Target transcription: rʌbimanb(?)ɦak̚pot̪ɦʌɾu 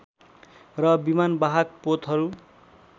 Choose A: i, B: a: B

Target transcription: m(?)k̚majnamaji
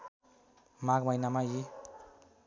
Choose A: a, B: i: A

